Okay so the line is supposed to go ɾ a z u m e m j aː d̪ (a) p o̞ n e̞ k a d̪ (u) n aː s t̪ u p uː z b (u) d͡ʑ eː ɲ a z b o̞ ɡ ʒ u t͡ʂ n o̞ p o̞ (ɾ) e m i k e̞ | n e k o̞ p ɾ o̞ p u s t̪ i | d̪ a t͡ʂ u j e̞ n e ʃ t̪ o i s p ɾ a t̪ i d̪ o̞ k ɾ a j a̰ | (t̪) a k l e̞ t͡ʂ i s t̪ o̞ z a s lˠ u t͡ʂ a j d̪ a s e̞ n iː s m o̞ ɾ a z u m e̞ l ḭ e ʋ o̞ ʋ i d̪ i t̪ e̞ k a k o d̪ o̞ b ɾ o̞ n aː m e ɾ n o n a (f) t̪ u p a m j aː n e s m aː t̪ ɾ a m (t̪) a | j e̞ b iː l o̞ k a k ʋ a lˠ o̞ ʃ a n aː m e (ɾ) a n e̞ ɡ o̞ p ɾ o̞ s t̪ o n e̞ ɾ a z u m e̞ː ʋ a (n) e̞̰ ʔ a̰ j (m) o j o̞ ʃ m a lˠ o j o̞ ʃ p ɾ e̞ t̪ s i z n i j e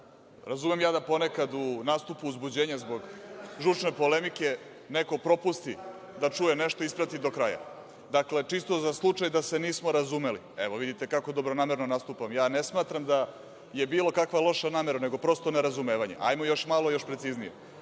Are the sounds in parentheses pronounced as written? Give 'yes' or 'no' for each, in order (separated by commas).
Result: yes, yes, yes, no, no, no, no, yes, no, yes